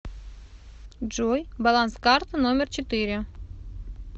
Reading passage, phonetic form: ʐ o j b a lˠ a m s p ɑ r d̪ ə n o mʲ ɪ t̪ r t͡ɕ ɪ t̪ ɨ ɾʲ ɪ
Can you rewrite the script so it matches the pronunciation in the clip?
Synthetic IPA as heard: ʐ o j b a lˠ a n s k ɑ r t̪ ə n o mʲ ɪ r t͡ɕ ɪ t̪ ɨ ɾʲ ɪ